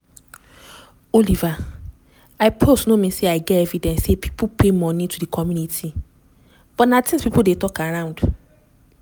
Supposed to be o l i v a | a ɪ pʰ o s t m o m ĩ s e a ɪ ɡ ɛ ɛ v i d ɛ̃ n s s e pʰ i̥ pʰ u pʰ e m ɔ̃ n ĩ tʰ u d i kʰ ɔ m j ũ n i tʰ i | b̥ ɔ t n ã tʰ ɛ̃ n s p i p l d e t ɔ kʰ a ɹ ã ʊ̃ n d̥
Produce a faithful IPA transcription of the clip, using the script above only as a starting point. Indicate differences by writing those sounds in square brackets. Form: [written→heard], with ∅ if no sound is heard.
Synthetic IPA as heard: o l i v a | a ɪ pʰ o s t [m→n] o m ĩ s e a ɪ ɡ ɛ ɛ v i d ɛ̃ n s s e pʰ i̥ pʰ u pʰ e m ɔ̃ n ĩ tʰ u d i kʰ ɔ m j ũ n i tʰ i | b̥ ɔ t n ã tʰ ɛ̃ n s p i p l d e t ɔ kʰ a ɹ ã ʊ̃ n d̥